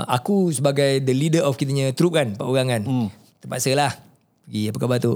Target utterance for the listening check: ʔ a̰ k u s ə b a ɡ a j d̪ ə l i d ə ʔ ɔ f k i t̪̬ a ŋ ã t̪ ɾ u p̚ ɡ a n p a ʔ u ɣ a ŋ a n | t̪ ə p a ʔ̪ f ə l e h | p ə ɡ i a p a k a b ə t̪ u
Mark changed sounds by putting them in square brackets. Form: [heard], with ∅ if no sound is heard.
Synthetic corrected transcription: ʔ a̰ k u s ə b a ɡ a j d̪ ə l i d ə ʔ ɔ f k i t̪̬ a [ɲ] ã t̪ ɾ u p̚ [k] a n p a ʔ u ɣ a ŋ a n | t̪ ə p a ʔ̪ [s] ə l [a] h | p ə ɡ i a p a k a b [a] t̪ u